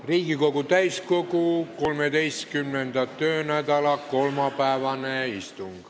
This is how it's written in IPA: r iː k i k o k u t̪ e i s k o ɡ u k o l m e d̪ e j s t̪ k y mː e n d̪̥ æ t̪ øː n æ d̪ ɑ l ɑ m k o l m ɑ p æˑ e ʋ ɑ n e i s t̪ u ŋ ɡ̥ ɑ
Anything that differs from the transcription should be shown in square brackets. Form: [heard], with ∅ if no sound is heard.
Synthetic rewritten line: r iː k i k o k u t̪ [æ] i s k o [k] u k o l m e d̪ e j s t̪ k y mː e n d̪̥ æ t̪ øː n æ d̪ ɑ l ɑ [∅] k o l m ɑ p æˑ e ʋ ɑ n e i s t̪ u ŋ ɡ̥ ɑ